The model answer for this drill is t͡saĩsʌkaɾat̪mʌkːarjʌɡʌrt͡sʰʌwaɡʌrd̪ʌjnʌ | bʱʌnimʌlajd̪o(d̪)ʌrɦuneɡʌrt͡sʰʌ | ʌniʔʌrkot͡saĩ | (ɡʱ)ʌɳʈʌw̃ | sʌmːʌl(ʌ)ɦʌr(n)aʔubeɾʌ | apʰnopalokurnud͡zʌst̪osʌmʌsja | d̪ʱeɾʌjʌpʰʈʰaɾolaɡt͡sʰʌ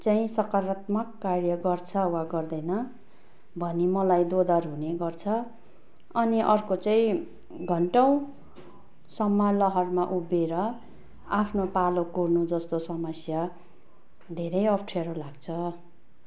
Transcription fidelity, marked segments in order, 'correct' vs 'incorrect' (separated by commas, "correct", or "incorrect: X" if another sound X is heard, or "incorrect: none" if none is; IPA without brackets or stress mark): correct, correct, correct, incorrect: m